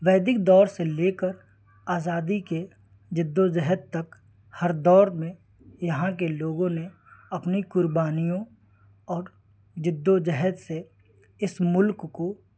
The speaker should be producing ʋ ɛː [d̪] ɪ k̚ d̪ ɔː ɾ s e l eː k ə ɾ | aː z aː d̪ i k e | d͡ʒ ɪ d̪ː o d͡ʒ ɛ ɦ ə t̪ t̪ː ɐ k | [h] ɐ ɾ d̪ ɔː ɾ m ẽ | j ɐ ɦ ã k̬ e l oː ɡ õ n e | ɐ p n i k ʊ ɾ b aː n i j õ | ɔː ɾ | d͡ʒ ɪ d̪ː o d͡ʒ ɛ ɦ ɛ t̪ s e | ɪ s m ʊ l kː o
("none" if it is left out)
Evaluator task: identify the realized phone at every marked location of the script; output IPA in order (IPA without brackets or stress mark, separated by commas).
d̪, h